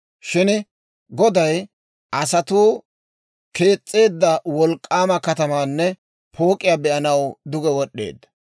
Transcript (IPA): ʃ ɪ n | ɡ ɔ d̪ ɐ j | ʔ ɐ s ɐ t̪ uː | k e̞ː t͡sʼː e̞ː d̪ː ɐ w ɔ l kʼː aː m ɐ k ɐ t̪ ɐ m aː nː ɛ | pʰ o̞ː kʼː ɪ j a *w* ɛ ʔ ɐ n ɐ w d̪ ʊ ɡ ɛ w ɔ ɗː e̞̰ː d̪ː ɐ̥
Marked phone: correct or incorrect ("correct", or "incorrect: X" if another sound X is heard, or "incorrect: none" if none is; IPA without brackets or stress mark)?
incorrect: b